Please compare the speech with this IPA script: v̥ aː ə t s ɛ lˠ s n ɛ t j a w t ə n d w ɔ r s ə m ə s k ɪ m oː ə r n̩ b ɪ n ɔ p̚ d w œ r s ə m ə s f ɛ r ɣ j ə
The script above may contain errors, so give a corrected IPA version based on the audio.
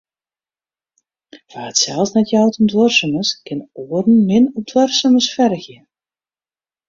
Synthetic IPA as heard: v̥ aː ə t s ɛ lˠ s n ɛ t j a w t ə n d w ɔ r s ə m ə s k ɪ n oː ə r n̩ m ɪ n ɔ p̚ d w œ r s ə m ə s f ɛ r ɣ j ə